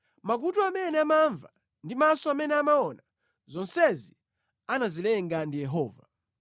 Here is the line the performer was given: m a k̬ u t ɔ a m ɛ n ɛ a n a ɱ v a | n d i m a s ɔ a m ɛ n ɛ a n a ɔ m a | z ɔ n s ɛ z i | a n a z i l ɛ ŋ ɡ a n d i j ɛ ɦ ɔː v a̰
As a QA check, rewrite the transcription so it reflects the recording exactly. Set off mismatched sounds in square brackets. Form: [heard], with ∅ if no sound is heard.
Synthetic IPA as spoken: m a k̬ u t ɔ a m ɛ n ɛ a [m] a ɱ v a | n d i m a s ɔ a m ɛ n ɛ a [m] a ɔ [n] a | z ɔ n s ɛ z i | a n a z i l ɛ ŋ ɡ a n d i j ɛ ɦ ɔː v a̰